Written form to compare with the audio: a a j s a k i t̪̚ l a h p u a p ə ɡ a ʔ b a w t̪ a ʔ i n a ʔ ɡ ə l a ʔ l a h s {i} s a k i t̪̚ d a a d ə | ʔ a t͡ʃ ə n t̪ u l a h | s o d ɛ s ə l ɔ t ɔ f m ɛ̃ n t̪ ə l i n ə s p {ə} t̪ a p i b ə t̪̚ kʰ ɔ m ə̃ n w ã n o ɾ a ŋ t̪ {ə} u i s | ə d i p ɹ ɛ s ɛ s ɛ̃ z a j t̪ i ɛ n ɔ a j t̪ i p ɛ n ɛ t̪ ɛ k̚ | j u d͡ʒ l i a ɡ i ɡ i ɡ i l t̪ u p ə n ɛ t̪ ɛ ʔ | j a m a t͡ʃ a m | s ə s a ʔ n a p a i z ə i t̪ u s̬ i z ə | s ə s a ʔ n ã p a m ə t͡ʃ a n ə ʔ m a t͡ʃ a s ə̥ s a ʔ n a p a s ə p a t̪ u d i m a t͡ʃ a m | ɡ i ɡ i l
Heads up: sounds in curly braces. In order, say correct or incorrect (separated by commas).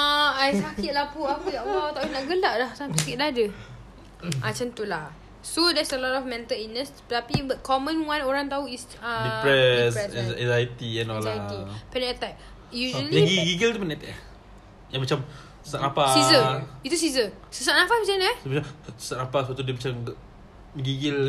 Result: incorrect, correct, incorrect